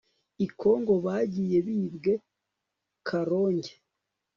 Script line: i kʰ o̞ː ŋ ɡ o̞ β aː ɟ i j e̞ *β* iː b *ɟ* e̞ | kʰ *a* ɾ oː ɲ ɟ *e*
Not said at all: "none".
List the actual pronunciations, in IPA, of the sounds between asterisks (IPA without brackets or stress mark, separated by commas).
β, ɡ, a, e